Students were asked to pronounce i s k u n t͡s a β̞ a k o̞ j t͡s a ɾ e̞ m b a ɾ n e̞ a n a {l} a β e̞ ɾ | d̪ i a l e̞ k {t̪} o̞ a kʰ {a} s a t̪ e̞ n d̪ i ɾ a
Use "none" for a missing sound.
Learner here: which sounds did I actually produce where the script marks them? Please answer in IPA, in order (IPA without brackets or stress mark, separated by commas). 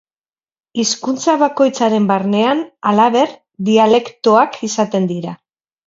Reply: l, t̪, i